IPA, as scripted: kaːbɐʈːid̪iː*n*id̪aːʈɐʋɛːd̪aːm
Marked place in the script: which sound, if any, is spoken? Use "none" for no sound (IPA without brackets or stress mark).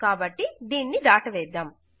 nː